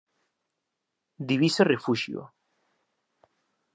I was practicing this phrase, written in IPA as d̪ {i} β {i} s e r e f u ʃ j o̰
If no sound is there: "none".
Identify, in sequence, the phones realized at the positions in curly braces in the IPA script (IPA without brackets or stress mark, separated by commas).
i, i